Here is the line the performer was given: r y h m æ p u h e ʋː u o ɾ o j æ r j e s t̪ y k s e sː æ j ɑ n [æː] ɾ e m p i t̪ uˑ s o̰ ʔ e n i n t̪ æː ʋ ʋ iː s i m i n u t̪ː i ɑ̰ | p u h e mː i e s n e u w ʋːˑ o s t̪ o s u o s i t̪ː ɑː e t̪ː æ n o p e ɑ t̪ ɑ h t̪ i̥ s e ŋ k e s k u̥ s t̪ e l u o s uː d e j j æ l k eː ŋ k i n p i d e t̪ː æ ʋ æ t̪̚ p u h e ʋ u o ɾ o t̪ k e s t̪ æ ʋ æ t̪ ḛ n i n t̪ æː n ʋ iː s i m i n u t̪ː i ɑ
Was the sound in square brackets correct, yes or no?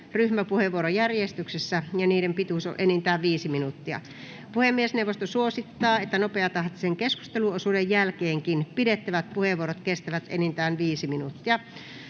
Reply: no